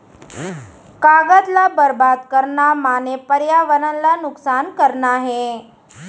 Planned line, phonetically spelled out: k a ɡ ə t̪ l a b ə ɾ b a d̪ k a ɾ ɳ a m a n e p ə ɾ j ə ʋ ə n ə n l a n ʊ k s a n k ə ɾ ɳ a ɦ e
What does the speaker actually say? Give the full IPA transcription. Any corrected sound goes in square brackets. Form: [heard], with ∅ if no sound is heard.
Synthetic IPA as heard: k a ɡ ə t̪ l a b ə ɾ b a d̪ k [ə] ɾ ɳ a m a n e p ə ɾ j [a] ʋ ə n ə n l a n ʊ k s a n k ə ɾ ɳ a ɦ e